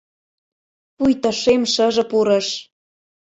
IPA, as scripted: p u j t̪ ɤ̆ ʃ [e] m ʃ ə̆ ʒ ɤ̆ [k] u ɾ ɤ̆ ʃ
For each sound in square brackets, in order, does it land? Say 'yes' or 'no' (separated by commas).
yes, no